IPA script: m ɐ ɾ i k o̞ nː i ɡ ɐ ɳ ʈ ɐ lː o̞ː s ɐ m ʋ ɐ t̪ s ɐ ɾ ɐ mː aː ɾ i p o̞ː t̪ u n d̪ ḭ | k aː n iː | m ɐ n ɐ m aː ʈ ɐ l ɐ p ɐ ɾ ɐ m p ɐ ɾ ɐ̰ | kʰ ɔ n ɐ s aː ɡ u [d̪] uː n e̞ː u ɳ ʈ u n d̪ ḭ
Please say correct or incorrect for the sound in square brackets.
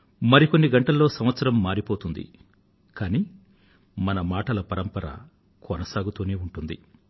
incorrect